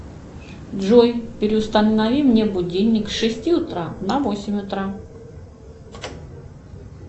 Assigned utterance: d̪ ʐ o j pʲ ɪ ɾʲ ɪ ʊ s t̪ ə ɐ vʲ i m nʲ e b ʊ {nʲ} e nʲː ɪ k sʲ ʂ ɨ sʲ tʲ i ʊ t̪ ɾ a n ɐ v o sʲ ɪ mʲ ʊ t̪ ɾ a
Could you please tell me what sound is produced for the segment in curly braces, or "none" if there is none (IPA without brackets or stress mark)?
dʲ